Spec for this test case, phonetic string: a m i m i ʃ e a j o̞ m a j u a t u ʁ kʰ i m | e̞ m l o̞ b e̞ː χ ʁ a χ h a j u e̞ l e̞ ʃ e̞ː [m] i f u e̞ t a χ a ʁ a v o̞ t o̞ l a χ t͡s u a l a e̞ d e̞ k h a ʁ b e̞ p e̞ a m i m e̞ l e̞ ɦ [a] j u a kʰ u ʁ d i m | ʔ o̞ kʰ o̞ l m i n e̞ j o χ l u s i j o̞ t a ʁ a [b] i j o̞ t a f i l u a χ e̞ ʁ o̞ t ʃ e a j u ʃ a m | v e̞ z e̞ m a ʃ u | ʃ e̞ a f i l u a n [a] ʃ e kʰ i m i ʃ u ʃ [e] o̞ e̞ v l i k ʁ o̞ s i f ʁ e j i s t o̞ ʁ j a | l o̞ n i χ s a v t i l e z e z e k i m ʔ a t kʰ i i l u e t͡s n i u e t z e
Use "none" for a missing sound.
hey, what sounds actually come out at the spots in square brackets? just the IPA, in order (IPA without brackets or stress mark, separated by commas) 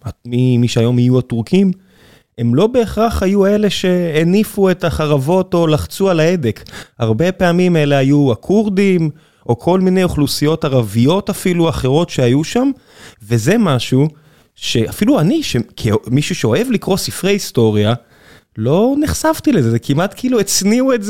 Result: n, a, v, i, e